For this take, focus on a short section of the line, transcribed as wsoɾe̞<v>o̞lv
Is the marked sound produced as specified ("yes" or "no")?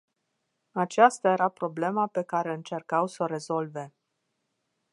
no